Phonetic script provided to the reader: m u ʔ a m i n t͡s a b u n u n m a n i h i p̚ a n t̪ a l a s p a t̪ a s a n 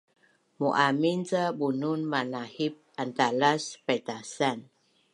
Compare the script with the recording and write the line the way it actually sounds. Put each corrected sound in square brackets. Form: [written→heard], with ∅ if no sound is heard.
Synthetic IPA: m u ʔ a m i n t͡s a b u n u n m a n [i→a] h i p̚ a n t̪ a l a s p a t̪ a s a n

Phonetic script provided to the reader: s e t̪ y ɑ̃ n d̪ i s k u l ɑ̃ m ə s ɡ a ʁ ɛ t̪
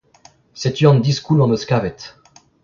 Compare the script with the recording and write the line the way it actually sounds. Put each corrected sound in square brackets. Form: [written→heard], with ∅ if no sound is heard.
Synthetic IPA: s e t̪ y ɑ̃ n d̪ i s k u l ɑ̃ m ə s [ɡ→k] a [ʁ→v] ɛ t̪

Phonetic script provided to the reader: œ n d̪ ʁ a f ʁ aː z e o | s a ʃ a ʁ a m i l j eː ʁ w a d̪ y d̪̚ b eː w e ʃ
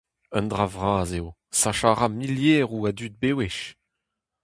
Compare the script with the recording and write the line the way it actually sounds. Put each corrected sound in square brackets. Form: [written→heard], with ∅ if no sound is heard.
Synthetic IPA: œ n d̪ ʁ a [f→v] ʁ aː z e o | s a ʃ a ʁ a m i l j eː ʁ [w→u] a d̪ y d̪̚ b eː w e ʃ

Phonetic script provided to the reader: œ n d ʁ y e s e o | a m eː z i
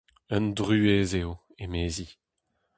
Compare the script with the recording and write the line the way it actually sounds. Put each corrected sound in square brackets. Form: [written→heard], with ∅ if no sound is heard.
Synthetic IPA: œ n d ʁ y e [s→z] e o | [a→e] m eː z i

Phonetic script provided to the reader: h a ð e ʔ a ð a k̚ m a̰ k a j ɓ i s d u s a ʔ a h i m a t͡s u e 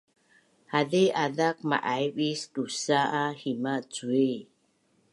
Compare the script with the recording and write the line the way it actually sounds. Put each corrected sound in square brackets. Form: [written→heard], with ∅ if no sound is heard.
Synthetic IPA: h a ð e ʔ a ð a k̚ m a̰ [k→ʔ] a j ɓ i s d u s a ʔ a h i m a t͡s u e

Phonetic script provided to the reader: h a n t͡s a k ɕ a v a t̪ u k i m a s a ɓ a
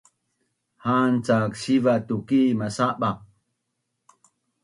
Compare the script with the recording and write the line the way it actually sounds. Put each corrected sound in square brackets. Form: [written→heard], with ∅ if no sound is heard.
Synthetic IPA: h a n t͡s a k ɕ [a→i] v a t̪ u k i m a s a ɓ a

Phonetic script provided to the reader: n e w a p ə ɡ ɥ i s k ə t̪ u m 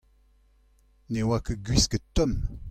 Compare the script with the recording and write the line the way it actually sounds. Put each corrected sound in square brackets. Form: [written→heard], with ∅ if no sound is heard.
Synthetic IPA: n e w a [p→k] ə ɡ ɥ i s k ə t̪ [u→ɔ] m

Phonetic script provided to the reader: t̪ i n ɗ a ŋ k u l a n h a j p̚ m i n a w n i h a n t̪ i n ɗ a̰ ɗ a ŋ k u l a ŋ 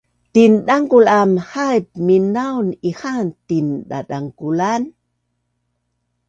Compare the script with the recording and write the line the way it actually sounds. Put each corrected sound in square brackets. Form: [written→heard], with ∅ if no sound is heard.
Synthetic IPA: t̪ i n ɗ a ŋ k u l a [n→m] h a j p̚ m i n a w n i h a n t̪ i n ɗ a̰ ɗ a ŋ k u l a [ŋ→n]

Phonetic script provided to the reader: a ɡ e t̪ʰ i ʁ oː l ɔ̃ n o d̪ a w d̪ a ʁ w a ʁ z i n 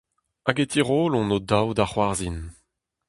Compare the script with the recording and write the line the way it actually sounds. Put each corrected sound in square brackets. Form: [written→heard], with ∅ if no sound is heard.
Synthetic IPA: a ɡ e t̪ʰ i ʁ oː l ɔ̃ n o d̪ a w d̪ a [ʁ→χ] w a ʁ z i n

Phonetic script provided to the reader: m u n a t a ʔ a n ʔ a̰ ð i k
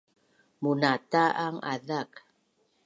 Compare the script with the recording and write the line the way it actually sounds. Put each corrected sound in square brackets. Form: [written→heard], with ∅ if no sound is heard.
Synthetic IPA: m u n a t a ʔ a [n→ŋ] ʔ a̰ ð [i→a] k

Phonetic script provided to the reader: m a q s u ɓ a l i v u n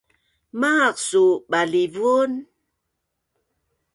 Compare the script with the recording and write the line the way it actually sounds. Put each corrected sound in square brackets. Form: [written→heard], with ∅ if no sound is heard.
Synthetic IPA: m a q s u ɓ a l i v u n

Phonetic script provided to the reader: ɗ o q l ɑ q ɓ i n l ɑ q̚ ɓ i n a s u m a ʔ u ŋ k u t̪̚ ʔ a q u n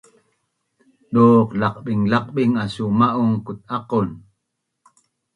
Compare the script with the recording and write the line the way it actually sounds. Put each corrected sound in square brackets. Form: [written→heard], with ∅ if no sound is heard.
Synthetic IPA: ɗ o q l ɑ q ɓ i [n→ŋ] l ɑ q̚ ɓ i [n→ŋ] a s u m a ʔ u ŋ k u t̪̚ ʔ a q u n

